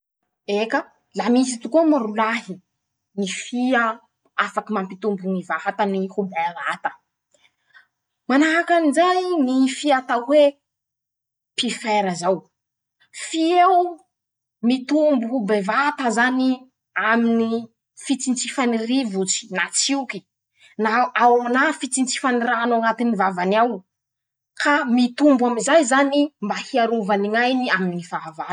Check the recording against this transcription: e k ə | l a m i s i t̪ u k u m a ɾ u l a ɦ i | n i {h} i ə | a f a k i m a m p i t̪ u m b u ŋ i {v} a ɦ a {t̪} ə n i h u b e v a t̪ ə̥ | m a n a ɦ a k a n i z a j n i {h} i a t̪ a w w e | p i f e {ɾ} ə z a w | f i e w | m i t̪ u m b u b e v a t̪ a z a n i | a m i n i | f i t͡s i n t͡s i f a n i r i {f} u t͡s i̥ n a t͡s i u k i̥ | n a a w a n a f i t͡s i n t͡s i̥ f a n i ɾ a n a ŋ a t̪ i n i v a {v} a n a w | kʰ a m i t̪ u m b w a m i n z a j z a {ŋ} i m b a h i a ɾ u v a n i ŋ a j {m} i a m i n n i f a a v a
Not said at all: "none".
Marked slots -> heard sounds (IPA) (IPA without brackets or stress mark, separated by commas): f, v, t̪, f, ɾ, v, v, n, n